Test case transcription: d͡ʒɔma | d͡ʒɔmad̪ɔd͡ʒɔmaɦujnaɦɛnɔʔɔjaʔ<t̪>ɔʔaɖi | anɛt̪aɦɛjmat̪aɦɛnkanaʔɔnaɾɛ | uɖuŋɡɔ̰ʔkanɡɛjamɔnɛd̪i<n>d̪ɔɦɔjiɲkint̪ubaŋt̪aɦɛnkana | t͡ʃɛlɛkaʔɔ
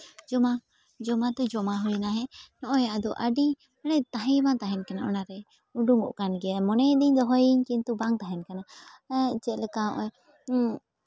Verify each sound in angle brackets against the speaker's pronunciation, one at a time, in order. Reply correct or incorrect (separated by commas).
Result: incorrect, incorrect